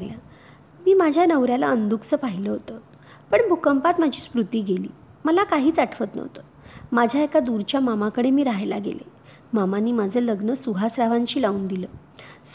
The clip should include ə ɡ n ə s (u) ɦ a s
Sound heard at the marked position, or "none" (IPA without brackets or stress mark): u